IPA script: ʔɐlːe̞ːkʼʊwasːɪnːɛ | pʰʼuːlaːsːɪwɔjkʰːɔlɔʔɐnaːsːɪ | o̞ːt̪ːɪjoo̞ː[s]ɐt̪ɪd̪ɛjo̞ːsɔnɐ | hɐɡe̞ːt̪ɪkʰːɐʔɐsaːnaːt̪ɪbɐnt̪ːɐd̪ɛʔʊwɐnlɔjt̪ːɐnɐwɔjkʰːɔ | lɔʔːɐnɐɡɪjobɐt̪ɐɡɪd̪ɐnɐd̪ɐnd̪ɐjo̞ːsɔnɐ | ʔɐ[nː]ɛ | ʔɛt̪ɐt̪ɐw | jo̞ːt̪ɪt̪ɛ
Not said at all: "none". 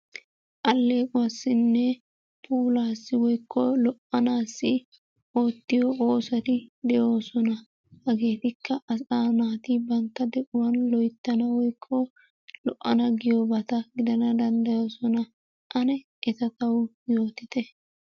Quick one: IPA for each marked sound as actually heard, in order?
s, n

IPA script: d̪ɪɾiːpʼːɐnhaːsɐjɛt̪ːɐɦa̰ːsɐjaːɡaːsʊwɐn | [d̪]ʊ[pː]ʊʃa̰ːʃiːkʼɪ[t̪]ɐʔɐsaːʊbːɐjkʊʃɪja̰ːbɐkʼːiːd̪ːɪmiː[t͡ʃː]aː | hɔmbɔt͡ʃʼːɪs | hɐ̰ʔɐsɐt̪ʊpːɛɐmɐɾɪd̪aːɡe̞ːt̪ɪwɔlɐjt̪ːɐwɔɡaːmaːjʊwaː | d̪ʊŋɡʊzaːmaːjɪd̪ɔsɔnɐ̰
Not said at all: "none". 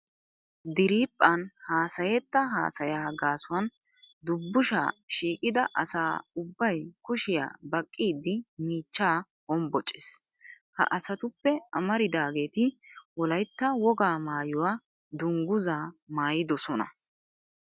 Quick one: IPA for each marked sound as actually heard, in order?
d̪, bː, d̪, t͡ʃː

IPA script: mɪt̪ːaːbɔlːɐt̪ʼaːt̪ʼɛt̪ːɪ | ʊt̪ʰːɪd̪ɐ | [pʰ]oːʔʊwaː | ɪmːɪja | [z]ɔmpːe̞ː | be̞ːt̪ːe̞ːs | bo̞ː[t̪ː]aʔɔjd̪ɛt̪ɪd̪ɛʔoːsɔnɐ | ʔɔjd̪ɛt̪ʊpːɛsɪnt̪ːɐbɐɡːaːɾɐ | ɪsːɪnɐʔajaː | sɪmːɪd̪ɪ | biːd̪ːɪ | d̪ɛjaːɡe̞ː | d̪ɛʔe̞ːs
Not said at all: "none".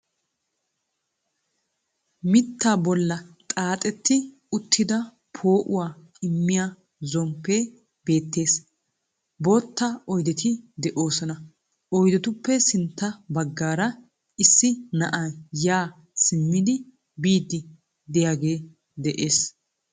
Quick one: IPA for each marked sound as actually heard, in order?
pʰ, z, t̪ː

